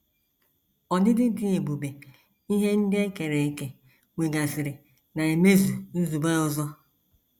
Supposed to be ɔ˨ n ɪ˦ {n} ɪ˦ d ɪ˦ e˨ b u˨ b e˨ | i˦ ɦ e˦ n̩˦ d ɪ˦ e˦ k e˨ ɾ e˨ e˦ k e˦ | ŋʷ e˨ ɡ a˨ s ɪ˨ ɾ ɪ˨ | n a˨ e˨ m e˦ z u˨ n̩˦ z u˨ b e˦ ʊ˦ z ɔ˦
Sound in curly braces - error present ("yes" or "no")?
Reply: yes